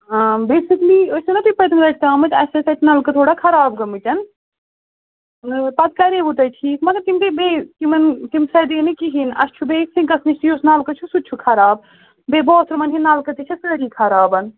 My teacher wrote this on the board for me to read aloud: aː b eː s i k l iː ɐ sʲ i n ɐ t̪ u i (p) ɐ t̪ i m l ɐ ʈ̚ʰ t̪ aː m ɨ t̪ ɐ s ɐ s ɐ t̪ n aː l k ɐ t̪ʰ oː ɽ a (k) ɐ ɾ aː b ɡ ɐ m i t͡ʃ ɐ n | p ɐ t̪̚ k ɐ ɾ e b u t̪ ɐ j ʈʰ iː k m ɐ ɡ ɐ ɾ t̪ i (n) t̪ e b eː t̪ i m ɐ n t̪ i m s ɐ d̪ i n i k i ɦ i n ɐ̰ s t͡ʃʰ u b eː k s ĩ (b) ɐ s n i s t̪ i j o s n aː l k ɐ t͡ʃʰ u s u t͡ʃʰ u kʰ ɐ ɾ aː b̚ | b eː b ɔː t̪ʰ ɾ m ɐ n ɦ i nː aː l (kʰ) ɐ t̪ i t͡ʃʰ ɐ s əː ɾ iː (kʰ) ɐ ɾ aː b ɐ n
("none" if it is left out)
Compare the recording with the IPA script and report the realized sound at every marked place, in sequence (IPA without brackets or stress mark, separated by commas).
p, kʰ, m, ɡ, k, kʰ